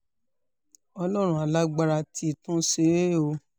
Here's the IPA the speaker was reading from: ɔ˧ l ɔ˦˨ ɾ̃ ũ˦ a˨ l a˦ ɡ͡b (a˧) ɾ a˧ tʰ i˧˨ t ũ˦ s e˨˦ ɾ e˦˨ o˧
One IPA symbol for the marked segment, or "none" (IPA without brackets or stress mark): a˧